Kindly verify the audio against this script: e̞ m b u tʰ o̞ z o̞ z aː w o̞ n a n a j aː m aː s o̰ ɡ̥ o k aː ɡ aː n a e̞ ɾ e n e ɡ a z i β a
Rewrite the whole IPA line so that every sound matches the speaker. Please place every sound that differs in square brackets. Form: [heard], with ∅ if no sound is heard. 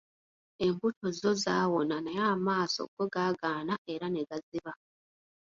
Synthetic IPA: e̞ m b u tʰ o̞ z o̞ z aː w o̞ n a n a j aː m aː s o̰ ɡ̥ o [ɡ] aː ɡ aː n a e̞ ɾ [a] n e ɡ a z i β a